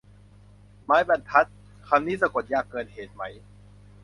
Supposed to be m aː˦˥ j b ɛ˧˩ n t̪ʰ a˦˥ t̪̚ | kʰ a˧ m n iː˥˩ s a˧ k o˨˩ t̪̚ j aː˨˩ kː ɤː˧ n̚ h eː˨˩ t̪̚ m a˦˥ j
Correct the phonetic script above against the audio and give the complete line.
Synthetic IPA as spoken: m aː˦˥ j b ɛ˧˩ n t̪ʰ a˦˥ t̪̚ | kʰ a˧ m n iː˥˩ s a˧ k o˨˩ t̪̚ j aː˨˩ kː ɤː˧ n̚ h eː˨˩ t̪̚ m a˦˥ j